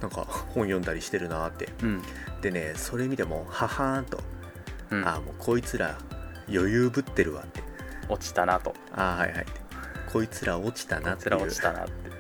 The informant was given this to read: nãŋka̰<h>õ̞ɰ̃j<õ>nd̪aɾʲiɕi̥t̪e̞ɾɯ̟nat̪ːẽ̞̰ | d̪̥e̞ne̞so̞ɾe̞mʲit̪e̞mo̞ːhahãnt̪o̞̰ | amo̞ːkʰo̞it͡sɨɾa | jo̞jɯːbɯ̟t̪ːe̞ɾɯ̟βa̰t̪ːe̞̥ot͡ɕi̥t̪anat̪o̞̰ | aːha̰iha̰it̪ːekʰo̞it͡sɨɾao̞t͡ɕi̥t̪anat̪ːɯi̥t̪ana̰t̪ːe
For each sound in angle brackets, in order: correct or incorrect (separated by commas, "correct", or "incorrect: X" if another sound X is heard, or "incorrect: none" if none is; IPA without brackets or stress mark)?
correct, correct